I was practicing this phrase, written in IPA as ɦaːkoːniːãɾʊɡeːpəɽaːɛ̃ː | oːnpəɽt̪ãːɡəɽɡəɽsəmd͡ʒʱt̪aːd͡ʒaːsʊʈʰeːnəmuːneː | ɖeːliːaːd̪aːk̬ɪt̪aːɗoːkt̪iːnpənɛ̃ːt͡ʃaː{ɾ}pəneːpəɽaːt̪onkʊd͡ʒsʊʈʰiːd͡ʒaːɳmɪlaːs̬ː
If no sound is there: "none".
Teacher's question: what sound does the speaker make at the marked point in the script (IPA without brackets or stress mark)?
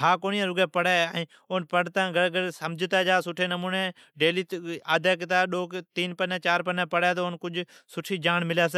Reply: ɾ